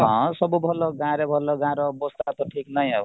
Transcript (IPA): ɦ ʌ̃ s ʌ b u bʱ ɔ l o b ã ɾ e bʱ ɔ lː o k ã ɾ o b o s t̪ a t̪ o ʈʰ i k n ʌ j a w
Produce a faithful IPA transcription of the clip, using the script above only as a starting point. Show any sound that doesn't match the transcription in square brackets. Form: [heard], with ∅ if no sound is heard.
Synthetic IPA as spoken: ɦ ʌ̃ s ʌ b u bʱ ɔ l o [ɡ] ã ɾ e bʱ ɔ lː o [ɡ] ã ɾ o b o s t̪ a t̪ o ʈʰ i k n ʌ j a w